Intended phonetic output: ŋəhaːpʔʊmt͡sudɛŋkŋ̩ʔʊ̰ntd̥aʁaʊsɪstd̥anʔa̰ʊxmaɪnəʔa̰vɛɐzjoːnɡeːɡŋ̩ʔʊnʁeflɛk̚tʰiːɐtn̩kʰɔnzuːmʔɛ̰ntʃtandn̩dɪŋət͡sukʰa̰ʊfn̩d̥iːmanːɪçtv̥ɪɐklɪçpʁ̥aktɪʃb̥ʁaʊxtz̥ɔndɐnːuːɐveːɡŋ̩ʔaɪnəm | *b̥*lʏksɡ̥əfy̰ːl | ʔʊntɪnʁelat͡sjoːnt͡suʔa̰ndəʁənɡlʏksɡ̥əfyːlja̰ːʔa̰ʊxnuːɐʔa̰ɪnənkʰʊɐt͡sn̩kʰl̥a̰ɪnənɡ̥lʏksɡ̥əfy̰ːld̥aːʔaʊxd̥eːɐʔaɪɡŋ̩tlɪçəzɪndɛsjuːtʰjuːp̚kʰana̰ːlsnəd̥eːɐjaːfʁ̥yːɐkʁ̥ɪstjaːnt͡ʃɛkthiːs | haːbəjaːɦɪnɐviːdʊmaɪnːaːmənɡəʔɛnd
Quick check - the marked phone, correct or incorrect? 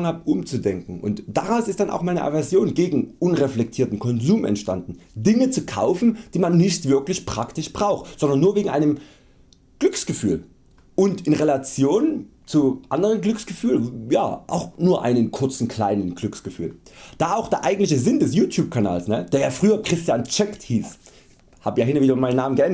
incorrect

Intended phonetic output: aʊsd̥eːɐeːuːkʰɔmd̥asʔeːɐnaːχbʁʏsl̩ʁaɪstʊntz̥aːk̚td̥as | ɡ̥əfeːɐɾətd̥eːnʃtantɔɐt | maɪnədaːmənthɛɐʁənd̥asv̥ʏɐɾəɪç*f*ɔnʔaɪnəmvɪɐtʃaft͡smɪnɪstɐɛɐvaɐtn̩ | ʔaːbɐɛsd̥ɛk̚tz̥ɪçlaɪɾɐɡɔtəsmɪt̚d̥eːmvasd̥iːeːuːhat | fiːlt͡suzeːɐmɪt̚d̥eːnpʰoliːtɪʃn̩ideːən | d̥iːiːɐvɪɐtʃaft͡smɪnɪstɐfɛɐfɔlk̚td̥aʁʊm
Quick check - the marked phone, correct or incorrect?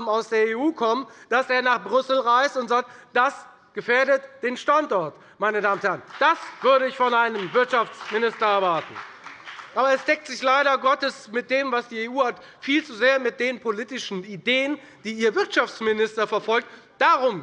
correct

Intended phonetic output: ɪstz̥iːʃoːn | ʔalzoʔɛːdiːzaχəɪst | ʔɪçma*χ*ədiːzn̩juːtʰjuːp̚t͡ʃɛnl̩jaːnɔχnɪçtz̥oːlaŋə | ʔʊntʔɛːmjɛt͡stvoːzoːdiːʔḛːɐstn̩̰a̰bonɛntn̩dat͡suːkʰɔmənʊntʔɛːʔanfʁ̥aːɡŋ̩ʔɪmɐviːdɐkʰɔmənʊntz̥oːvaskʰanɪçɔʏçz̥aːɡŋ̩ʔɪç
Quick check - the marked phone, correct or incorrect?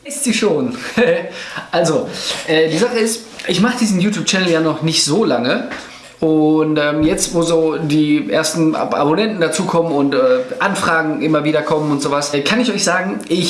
correct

